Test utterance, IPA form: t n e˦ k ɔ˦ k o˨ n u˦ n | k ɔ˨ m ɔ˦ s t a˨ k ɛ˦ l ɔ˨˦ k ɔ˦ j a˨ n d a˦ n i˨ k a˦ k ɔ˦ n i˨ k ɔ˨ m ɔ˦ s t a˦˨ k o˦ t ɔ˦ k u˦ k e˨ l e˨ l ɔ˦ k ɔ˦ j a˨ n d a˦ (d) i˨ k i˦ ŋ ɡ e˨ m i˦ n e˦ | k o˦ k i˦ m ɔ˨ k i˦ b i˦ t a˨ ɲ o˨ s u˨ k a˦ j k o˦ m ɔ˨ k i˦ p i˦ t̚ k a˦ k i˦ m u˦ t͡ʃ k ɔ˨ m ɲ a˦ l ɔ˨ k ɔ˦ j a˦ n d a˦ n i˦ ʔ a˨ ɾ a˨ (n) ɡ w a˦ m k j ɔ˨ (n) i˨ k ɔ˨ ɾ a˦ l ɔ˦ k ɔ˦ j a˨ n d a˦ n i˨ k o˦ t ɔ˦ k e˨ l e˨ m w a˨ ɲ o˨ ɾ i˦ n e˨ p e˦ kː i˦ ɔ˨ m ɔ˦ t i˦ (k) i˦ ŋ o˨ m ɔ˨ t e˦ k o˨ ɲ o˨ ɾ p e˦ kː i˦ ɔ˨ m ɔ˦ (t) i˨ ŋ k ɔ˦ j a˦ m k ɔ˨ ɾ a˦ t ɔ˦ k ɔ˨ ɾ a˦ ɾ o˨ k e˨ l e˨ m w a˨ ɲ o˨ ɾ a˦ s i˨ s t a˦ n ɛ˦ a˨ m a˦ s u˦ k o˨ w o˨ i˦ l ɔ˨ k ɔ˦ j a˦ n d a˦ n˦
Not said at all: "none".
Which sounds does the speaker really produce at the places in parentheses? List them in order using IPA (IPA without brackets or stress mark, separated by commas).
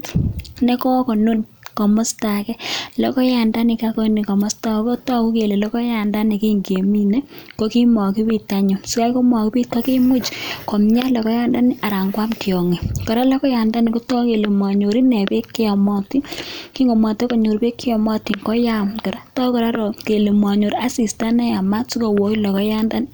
n, ŋ, ŋ, k, t